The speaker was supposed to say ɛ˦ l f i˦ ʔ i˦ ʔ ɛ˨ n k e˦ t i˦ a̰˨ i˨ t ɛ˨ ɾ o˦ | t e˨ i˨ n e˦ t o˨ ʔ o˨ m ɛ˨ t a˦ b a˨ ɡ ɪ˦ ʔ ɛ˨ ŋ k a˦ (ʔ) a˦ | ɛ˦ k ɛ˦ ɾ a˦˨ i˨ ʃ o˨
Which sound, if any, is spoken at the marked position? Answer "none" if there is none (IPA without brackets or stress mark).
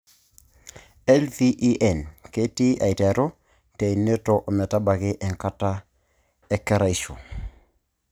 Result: t